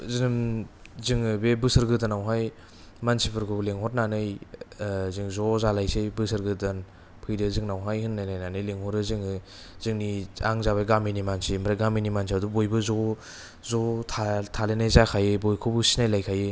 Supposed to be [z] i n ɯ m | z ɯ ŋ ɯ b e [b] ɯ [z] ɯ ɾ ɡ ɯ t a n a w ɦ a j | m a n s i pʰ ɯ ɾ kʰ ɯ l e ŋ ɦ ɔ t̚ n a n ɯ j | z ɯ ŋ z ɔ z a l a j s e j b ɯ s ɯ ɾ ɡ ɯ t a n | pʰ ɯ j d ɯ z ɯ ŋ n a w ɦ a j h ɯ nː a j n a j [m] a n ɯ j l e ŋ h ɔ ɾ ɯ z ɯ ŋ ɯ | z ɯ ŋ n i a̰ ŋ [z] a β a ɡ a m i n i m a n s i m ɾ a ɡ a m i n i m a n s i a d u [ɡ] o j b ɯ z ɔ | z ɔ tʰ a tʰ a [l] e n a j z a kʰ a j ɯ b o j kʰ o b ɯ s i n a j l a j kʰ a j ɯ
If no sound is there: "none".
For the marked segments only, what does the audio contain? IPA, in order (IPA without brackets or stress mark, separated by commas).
z, b, s, n, z, b, l